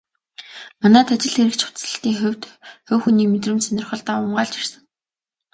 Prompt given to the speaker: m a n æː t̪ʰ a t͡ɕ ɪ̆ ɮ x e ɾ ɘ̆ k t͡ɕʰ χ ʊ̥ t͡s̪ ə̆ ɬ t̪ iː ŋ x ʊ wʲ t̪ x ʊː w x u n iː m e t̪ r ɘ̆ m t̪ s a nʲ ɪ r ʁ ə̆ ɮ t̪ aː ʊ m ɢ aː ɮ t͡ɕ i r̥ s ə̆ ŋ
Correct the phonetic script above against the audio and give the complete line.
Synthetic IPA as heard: m a n æː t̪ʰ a t͡ɕ ɪ̆ ɮ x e ɾ ɘ̆ k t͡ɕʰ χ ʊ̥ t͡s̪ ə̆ ɬ t̪ iː ŋ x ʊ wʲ t̪ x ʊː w x u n iː m e t̪ r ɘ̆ m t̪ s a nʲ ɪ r χ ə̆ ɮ t̪ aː ʊ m ɢ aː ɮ t͡ɕ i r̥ s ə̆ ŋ